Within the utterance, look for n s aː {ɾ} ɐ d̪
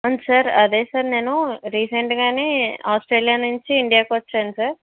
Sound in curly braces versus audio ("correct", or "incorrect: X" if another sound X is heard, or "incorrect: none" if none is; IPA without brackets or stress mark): correct